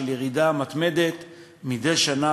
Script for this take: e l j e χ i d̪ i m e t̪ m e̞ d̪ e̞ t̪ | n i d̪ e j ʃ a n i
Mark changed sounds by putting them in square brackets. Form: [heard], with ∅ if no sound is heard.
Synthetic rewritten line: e l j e [ʁ] i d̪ [a] m [a] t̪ m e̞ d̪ e̞ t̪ | [m] i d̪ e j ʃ a n [a]